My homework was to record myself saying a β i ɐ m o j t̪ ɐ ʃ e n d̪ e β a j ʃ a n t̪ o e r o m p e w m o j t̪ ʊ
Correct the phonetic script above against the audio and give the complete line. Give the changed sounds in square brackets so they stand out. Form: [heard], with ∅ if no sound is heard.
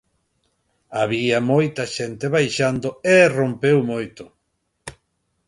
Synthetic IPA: a β i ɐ m o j t̪ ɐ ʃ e n [t̪] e β a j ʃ a n [d̪] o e r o m p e w m o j t̪ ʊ